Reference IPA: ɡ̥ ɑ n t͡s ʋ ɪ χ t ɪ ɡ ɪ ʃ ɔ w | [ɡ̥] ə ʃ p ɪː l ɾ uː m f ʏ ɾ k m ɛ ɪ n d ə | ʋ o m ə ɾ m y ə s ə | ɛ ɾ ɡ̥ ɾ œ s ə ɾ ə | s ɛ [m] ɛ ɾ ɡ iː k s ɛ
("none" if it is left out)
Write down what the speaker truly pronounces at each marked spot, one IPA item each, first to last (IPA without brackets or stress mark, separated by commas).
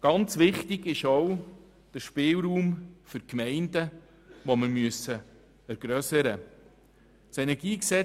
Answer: d̥, n